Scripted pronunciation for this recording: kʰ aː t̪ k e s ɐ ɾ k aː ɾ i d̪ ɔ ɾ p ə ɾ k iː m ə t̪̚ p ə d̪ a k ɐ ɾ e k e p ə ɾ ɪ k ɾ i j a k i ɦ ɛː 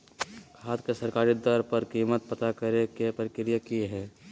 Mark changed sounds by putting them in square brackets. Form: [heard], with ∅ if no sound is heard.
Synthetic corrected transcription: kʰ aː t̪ k e s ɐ ɾ k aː ɾ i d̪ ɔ ɾ p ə ɾ k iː m ə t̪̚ p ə [t̪] a k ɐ ɾ e k e p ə ɾ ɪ k ɾ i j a k i ɦ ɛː